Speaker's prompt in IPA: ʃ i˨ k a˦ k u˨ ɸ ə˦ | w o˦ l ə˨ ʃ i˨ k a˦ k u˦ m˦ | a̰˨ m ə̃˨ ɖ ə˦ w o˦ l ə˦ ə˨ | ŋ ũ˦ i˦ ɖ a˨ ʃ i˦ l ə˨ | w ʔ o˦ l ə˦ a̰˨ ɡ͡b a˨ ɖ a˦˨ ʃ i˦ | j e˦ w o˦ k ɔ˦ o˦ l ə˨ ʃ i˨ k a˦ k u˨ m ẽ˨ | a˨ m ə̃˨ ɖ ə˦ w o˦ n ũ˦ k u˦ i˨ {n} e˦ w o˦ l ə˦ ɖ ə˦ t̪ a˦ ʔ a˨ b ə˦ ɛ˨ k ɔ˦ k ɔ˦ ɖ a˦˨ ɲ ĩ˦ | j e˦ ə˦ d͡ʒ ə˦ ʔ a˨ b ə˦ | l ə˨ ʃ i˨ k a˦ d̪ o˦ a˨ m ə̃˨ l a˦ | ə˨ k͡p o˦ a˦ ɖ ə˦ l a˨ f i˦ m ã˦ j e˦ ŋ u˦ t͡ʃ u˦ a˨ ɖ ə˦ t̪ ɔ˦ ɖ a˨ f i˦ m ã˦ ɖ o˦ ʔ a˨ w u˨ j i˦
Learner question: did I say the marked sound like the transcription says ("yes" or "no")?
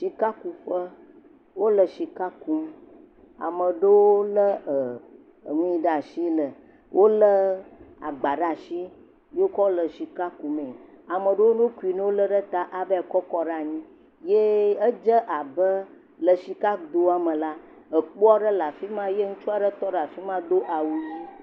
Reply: yes